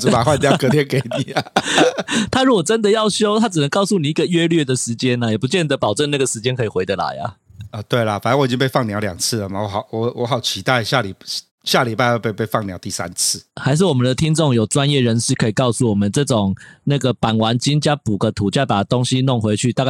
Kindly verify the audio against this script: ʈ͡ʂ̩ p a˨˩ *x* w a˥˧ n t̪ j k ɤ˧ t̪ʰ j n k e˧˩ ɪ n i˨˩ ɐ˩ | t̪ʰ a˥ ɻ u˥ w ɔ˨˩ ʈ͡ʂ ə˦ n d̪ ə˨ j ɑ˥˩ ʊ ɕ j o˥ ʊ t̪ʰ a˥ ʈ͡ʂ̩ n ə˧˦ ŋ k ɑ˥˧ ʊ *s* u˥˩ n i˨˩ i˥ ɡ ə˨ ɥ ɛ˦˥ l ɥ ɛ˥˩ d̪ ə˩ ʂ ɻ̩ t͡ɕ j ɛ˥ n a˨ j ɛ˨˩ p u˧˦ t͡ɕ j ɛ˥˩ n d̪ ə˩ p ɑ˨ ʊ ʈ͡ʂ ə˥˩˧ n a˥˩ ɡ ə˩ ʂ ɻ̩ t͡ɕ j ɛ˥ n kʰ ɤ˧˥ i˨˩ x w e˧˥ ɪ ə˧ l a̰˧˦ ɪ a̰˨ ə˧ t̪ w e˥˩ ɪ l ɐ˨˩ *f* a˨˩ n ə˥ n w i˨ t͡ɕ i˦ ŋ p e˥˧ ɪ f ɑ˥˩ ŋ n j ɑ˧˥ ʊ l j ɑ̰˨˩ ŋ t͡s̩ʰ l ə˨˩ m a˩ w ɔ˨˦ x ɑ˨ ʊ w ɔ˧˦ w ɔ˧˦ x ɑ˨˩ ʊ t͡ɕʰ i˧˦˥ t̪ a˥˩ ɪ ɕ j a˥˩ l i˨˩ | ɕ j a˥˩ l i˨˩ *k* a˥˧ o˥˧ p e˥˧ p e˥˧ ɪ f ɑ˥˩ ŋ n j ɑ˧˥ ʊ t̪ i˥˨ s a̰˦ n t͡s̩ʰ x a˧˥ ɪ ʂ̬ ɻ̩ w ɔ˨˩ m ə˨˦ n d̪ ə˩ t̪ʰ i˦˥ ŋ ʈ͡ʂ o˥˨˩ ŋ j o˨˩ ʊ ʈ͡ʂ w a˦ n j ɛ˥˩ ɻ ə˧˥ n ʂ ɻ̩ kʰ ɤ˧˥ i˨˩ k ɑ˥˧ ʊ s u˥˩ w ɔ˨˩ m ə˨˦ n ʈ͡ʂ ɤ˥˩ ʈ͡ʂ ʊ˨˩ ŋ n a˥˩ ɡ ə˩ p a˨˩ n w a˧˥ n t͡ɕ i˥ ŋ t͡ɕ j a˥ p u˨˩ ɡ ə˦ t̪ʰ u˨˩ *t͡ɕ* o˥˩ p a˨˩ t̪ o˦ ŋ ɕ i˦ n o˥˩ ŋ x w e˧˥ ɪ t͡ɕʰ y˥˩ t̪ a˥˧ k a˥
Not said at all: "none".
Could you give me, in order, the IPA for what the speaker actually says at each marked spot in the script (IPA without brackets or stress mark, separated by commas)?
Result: x, s, f, p, t͡ɕ